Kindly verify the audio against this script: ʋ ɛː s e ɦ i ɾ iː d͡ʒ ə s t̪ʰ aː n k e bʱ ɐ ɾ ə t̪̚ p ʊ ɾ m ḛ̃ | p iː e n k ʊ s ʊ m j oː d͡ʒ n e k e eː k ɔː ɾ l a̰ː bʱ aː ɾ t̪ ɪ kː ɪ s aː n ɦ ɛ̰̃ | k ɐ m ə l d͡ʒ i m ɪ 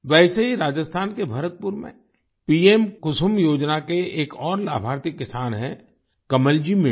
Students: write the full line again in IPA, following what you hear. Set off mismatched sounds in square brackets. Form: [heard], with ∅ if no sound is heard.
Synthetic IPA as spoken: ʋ ɛː s e ɦ i ɾ [aː] d͡ʒ ə s t̪ʰ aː n k e bʱ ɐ ɾ ə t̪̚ p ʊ ɾ m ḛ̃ | p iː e [m] k ʊ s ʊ m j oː d͡ʒ n [a] k e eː k ɔː ɾ l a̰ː bʱ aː ɾ t̪ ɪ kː ɪ s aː n ɦ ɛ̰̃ | k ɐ m ə l d͡ʒ i m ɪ